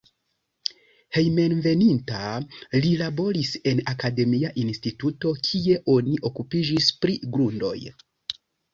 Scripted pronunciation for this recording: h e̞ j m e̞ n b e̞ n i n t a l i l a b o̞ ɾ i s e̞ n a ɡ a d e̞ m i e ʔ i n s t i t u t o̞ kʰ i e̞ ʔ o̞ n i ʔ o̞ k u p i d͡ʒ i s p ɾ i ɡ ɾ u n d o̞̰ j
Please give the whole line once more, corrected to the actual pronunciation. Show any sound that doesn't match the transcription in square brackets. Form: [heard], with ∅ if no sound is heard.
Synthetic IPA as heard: h e̞ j m e̞ n [v] e̞ n i n t a l i l a b o̞ ɾ i s e̞ n a [k] a d e̞ m i [a] ʔ i n s t i t u t o̞ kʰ i e̞ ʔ o̞ n i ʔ o̞ k u p i d͡ʒ i s p ɾ i ɡ ɾ u n d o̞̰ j